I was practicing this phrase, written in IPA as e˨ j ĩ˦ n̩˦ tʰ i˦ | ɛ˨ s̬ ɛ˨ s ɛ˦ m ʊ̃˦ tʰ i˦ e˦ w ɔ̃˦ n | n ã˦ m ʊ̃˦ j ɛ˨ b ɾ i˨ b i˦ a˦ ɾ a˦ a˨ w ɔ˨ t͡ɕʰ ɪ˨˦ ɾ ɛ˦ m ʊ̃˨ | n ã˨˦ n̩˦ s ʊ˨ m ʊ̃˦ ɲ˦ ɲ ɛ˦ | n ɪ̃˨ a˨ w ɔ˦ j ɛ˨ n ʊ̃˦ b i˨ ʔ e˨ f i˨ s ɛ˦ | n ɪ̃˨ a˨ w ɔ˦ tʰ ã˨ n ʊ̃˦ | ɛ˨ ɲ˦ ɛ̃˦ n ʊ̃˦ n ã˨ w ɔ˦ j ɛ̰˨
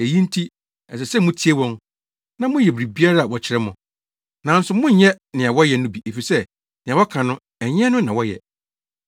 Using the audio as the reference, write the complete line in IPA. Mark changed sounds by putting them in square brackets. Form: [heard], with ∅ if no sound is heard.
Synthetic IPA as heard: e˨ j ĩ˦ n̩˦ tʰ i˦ | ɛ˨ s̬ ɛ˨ s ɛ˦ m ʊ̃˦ tʰ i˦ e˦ w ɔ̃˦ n | n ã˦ m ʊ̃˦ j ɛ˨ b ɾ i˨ b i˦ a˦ ɾ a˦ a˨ w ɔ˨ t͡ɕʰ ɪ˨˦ ɾ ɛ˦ m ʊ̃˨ | n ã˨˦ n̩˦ s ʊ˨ m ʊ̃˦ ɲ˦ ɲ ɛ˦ | n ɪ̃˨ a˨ w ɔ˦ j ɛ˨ n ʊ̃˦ b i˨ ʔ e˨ f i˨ s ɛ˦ | n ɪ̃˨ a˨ w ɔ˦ [kʰ] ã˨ n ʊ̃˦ | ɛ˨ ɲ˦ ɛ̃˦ n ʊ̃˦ n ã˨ w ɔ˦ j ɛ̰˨